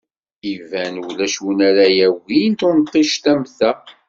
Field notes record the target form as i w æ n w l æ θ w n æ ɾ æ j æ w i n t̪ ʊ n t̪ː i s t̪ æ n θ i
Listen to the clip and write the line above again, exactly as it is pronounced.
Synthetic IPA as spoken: i v æ n w l æ ʃ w n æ ɾ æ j æ w i n t̪ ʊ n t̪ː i ʃ t̪ æ m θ æ